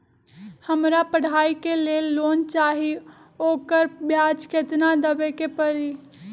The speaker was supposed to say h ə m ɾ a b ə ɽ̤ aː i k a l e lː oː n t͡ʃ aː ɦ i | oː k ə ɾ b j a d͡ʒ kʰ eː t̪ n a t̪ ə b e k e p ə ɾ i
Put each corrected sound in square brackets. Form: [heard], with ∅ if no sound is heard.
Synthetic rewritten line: h ə m ɾ a [p] ə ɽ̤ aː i k [e] l e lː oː n t͡ʃ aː ɦ i | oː k ə ɾ b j a d͡ʒ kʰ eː t̪ n a [d̪] ə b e k e p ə ɾ i